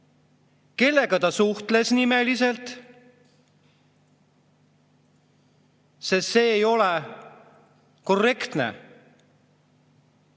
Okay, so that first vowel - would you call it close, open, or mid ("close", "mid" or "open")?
mid